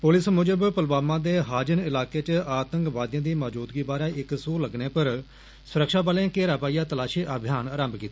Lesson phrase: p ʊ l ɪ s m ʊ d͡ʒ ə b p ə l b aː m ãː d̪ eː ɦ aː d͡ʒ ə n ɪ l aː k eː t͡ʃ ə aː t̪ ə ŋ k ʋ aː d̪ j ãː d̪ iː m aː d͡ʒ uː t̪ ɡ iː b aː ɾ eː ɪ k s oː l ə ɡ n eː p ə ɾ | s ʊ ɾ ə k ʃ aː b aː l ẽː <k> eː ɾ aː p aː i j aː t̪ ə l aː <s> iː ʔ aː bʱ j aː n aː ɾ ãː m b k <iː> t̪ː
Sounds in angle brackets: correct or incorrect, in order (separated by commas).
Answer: correct, incorrect, correct